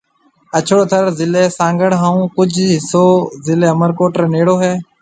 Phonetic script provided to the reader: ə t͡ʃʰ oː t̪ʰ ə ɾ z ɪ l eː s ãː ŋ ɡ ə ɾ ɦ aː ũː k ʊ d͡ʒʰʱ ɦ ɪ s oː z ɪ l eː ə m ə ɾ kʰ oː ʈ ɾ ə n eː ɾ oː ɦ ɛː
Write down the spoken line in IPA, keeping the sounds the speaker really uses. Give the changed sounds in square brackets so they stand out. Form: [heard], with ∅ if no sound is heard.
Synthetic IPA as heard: ə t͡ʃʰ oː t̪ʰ ə ɾ z ɪ l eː s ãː ŋ ɡ ə [ɽ] ɦ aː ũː k ʊ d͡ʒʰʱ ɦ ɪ s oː z ɪ l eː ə m ə ɾ [k] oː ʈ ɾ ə n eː [ɽ] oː ɦ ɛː